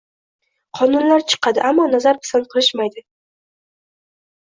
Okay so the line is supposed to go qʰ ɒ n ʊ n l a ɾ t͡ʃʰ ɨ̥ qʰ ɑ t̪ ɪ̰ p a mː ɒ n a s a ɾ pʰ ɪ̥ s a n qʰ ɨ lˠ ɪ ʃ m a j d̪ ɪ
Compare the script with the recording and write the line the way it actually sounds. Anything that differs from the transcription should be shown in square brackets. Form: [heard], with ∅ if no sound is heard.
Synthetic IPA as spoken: qʰ ɒ n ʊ n l a ɾ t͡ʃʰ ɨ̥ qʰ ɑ [d̪] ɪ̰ [ʔ] a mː ɒ n a [z] a ɾ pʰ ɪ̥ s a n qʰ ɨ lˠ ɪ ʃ m a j d̪ ɪ